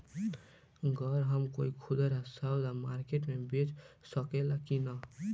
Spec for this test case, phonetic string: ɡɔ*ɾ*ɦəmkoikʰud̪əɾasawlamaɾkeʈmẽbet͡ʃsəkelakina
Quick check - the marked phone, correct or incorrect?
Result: correct